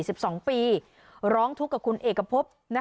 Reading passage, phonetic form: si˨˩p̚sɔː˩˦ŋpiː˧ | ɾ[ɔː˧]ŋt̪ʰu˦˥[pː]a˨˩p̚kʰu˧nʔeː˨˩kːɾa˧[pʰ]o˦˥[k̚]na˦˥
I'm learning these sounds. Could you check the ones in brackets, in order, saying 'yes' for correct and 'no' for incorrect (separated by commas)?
no, no, yes, no